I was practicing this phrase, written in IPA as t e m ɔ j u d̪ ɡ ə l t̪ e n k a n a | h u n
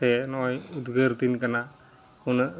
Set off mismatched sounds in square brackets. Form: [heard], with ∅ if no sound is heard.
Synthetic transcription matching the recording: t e [n] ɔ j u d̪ ɡ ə [ɾ] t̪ [i] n k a n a | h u n